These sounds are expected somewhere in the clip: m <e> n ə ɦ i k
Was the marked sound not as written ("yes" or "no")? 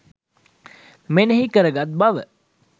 no